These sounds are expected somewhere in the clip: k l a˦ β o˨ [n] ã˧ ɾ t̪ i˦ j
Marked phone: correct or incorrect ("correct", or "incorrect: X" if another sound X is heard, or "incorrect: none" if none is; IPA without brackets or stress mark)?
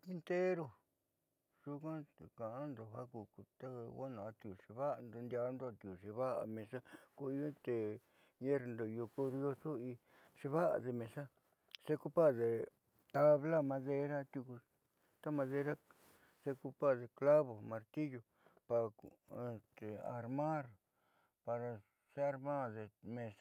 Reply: incorrect: m